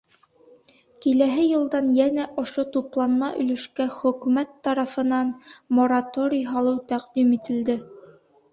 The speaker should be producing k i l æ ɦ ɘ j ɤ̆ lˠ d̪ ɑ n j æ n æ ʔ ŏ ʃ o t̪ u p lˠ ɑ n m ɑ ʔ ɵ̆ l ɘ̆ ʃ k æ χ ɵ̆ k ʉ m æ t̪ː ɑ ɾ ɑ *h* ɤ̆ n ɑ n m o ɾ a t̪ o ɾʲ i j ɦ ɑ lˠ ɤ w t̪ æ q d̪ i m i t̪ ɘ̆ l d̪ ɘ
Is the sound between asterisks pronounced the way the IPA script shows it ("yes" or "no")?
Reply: no